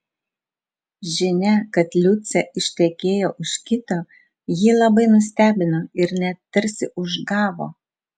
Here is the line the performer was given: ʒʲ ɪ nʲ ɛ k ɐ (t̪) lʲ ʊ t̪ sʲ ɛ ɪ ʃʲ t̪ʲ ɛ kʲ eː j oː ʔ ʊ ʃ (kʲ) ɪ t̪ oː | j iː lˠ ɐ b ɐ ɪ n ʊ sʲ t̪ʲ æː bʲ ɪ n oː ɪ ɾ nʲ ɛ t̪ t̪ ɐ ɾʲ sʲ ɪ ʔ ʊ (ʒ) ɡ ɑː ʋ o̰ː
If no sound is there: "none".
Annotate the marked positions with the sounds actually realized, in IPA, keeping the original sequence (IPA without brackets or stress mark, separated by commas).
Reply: t̪, kʲ, ʒ